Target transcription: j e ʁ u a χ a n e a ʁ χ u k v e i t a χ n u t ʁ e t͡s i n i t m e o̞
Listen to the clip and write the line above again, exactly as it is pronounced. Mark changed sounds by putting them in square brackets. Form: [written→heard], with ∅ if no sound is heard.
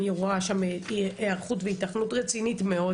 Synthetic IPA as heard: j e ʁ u a [χ→ʃ] a [n→m] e a ʁ χ u [k→t] v e i t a χ n u t ʁ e t͡s i n i t m e o̞